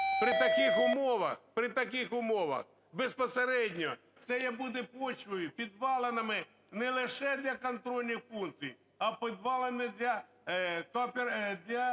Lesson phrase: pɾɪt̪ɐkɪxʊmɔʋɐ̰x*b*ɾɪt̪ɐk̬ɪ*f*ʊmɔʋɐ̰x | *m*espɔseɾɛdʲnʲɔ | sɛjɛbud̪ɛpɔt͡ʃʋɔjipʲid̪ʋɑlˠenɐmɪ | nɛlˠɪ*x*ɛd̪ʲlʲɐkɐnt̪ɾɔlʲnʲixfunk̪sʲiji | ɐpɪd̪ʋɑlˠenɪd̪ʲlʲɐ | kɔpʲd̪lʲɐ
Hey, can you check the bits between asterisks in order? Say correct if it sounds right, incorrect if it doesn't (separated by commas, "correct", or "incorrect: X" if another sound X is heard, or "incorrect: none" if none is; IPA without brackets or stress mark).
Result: incorrect: p, incorrect: x, incorrect: b, incorrect: ʃ